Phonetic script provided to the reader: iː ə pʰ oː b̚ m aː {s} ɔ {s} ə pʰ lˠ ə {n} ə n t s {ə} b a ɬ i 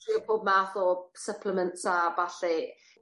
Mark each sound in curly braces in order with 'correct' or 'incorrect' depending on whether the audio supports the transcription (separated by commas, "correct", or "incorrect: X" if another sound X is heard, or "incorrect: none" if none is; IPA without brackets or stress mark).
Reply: incorrect: θ, correct, incorrect: m, incorrect: a